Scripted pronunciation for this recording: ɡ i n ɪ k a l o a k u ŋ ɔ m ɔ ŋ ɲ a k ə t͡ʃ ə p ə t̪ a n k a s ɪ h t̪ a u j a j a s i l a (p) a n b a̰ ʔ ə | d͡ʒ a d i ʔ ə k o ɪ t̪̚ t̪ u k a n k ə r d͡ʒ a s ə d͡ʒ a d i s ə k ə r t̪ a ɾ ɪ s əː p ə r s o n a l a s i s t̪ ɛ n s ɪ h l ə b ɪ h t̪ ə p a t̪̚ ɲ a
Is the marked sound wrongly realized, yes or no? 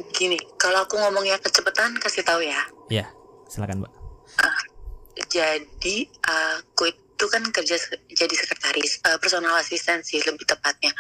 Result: yes